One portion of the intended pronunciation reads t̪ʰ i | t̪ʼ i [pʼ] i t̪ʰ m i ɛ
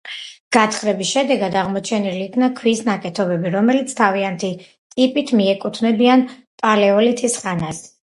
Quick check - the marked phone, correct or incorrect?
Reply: correct